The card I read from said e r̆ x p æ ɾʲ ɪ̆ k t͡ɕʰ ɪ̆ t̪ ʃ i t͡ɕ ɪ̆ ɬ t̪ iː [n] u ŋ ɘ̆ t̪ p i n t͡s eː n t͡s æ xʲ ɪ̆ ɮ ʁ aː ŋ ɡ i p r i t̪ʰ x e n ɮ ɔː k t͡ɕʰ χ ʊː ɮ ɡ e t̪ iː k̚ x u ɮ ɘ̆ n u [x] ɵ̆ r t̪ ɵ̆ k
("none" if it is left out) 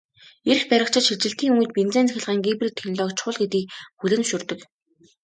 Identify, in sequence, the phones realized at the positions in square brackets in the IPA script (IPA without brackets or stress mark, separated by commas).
ŋ, ʃ